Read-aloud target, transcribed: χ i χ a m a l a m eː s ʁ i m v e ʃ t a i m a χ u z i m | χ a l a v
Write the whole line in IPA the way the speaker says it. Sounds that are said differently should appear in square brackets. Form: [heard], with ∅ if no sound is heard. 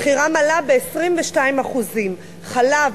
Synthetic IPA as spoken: χ i [ʁ] a m a l a [b] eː s ʁ i m v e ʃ t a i m a χ u z i m | χ a l a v